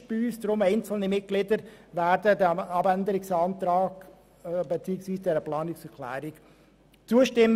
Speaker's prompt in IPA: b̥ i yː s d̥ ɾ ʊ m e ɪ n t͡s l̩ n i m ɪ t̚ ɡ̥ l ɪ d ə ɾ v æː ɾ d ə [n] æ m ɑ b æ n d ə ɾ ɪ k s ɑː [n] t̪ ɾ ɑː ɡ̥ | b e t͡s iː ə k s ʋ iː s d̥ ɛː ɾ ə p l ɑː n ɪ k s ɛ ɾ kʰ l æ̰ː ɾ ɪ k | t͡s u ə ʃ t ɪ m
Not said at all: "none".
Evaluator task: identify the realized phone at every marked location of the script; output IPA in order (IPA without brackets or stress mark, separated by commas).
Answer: d, n